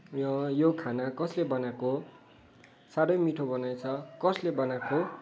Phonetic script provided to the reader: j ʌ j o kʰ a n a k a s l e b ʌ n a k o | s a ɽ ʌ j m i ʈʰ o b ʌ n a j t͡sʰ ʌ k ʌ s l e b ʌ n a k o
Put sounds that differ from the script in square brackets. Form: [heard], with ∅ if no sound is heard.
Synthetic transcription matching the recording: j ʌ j o kʰ a n a k [ʌ] s l e b ʌ n a k o | s a ɽ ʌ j m i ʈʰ o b ʌ n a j t͡sʰ ʌ k ʌ s l e b ʌ n a k o